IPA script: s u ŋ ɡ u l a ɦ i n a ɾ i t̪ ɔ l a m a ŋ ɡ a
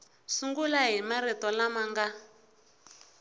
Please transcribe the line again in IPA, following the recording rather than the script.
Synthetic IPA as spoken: s u ŋ ɡ u l a ɦ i m a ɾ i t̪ ɔ l a m a ŋ ɡ a